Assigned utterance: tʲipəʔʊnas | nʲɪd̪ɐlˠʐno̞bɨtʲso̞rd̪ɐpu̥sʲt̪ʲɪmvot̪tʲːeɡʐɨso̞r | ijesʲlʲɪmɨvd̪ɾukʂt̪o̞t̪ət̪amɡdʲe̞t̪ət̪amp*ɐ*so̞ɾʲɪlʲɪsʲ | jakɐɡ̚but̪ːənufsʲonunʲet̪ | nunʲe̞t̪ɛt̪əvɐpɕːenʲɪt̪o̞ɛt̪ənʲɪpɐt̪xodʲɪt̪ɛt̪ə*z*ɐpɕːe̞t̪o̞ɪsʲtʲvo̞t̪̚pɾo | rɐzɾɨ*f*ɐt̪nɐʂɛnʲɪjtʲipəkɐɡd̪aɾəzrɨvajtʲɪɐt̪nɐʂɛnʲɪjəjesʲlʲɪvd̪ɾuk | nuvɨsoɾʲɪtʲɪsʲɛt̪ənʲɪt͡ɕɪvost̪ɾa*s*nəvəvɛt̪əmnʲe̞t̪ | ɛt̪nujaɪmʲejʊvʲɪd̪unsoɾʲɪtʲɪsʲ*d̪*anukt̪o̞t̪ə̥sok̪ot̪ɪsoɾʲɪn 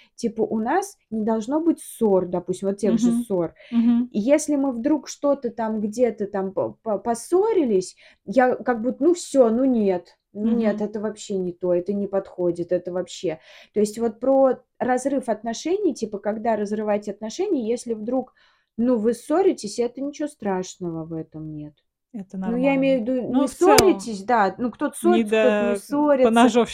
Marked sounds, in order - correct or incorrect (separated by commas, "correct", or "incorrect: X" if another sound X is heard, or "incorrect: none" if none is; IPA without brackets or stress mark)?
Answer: correct, incorrect: v, correct, incorrect: ʂ, correct